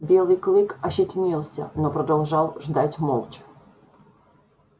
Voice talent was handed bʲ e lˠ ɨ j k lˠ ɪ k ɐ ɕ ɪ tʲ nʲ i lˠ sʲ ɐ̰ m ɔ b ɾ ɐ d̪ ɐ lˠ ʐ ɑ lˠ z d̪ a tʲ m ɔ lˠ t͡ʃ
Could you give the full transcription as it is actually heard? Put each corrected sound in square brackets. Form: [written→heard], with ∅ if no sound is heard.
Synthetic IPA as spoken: bʲ e lˠ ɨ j k lˠ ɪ k ɐ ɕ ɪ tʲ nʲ i lˠ sʲ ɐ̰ [m→n] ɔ [b→p] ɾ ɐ d̪ ɐ lˠ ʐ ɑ lˠ [z→ʐ] d̪ a tʲ m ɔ lˠ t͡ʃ